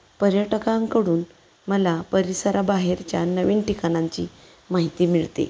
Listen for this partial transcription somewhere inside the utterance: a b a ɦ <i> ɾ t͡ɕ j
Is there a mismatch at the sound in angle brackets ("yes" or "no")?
yes